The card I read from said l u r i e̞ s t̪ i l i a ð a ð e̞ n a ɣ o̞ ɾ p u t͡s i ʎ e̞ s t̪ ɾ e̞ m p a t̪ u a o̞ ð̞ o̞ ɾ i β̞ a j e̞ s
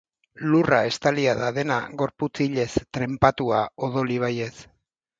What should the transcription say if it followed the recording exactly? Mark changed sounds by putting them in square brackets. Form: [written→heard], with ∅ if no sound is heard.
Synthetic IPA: l u r [i→a] e̞ s t̪ [i→a] l i a ð a ð e̞ n a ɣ o̞ ɾ p u t͡s i ʎ e̞ s t̪ ɾ e̞ m p a t̪ u a o̞ ð̞ o̞ [ɾ→l] i β̞ a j e̞ s